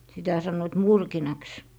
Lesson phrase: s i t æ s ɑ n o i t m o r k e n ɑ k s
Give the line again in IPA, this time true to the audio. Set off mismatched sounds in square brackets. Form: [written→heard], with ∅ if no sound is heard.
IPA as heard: s i t æ s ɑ [n→nː] o i t m [o→u] r k [e→i] n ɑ k s